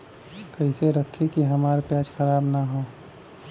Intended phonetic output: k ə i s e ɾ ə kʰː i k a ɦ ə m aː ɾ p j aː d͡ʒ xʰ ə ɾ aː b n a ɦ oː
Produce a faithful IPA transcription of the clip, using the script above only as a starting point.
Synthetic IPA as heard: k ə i s e ɾ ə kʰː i k i ɦ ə m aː ɾ p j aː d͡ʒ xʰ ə ɾ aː b n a ɦ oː